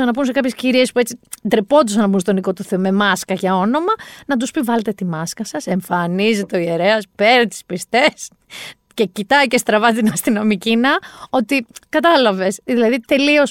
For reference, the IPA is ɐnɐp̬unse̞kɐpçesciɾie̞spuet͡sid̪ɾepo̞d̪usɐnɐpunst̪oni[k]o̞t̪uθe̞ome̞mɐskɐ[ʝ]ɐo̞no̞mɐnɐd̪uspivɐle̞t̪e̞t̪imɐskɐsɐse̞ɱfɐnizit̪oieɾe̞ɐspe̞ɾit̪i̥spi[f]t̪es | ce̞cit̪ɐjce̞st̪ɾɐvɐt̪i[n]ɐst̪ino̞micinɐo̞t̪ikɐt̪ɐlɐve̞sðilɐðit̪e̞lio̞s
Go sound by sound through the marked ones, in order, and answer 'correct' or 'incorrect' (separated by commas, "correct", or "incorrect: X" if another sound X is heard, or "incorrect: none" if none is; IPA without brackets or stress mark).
correct, correct, incorrect: s, correct